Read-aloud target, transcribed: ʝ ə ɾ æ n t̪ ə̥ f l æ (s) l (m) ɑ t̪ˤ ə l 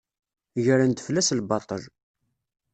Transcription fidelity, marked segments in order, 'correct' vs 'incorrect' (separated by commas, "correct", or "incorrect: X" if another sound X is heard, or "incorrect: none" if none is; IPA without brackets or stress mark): correct, incorrect: b